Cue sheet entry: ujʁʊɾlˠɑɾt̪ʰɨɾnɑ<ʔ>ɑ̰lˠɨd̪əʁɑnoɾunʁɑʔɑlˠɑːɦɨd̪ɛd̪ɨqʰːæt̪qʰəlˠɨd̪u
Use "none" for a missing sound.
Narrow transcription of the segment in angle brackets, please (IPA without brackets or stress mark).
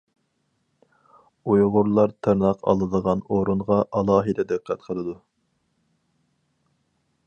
q